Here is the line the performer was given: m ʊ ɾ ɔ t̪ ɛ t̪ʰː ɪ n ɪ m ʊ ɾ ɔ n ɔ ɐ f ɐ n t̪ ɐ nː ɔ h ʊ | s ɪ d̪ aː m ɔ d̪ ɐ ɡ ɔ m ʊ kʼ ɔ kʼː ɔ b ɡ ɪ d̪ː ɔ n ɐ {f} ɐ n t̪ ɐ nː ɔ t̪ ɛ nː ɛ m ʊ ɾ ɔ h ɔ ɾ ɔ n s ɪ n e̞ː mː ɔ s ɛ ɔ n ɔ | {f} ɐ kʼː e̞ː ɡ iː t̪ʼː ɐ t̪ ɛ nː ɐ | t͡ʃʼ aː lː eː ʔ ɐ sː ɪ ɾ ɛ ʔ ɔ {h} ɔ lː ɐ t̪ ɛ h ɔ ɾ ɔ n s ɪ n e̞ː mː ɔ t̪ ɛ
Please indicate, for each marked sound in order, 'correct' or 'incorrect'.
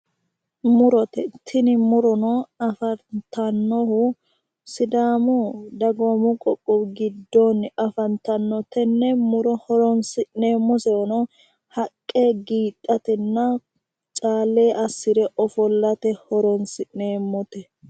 correct, incorrect: h, incorrect: f

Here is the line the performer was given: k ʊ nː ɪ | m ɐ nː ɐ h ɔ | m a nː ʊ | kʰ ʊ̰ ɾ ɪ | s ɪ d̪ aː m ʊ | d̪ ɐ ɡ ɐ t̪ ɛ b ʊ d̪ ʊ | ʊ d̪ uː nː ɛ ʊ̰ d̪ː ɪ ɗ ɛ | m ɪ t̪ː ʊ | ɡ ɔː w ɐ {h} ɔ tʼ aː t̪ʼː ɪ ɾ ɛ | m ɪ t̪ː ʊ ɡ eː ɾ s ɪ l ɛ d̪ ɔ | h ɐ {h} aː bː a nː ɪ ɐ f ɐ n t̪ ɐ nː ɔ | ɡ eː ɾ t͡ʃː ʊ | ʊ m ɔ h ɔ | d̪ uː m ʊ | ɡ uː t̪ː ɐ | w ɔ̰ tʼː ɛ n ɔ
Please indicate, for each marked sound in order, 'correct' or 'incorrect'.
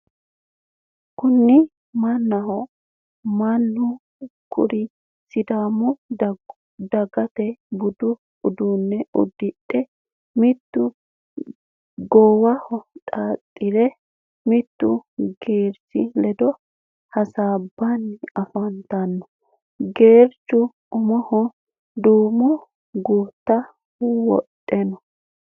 correct, incorrect: s

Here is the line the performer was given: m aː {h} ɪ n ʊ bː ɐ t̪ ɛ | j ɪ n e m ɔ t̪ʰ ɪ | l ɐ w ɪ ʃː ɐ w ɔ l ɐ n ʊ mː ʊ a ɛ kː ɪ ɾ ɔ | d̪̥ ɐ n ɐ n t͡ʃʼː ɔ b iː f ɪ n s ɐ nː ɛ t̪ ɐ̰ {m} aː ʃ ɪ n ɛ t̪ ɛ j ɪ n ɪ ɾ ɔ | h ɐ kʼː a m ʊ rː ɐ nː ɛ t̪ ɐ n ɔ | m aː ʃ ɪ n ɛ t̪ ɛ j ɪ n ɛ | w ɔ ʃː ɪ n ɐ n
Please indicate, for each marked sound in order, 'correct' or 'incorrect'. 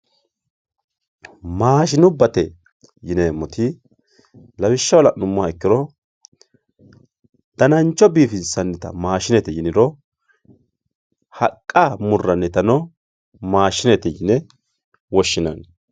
incorrect: ʃ, correct

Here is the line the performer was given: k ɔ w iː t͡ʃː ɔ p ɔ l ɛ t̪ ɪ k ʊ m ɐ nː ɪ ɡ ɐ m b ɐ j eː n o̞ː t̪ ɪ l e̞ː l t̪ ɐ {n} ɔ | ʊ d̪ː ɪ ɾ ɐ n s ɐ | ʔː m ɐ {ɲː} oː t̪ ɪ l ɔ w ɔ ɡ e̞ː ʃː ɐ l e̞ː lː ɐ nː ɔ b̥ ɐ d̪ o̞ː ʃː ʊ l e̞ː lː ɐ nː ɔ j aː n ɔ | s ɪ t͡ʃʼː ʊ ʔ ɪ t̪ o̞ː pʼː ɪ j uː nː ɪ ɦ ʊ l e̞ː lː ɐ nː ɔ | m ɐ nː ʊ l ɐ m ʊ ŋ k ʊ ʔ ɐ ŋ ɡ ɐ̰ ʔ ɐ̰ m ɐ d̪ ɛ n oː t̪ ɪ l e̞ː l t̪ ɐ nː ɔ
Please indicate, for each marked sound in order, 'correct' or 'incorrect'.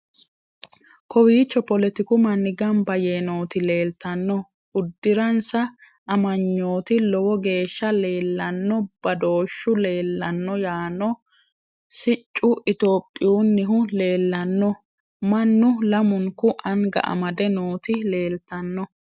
incorrect: nː, correct

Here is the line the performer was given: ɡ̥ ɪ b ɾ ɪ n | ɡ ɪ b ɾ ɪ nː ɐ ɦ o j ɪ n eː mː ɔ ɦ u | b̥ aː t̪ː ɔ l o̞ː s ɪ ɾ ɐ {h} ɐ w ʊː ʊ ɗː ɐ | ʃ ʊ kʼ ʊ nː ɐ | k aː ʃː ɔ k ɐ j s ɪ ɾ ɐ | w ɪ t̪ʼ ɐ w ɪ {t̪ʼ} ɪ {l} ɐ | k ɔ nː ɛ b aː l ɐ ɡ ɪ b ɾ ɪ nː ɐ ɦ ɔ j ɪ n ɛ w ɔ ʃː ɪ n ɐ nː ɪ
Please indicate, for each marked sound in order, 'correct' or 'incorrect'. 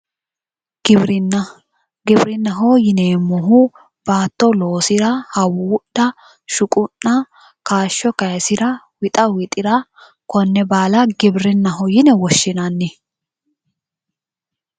correct, correct, incorrect: ɾ

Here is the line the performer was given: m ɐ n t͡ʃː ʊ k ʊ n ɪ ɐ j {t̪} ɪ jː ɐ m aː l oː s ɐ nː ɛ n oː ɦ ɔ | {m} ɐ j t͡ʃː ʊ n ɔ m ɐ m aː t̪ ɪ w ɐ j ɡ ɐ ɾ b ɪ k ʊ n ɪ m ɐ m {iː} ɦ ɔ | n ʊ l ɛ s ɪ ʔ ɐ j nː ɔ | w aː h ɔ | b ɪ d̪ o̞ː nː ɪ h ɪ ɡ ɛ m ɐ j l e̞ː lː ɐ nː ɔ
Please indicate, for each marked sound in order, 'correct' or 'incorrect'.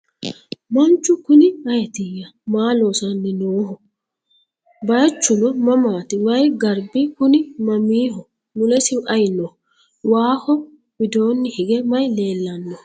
correct, incorrect: b, correct

